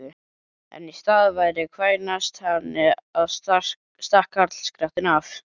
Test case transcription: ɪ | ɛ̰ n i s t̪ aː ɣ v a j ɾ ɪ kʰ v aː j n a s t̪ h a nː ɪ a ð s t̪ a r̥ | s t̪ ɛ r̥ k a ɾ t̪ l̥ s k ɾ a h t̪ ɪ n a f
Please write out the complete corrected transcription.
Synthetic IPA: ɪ | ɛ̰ n i s t̪ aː ð v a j ɾ ɪ kʰ v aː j n a s t̪ h a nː ɪ a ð s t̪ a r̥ | s t̪ a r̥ k a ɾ t̪ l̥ s k ɾ a h t̪ ɪ n a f